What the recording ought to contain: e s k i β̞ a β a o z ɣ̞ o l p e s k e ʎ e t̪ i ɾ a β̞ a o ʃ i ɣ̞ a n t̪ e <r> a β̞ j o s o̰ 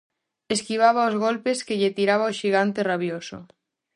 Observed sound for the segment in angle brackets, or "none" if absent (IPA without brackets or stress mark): r